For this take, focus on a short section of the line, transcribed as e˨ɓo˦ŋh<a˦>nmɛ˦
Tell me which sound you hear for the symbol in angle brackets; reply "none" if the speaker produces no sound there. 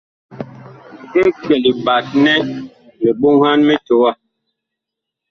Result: a˦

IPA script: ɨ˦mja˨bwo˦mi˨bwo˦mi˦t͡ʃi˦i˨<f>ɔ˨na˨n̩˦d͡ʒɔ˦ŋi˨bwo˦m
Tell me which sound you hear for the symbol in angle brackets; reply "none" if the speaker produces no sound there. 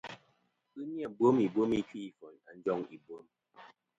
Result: f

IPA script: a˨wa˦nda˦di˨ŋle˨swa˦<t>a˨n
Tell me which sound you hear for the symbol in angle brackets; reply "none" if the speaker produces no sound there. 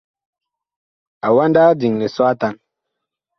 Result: t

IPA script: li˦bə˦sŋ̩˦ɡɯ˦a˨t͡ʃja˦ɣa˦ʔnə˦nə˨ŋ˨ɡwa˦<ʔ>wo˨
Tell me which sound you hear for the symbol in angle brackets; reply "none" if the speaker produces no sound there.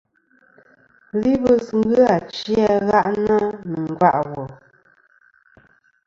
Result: ʔ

